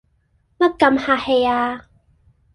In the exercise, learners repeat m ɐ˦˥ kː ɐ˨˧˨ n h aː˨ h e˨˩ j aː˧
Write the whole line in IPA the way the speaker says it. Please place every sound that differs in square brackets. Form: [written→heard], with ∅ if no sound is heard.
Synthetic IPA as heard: m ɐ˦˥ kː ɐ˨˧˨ [n→m] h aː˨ h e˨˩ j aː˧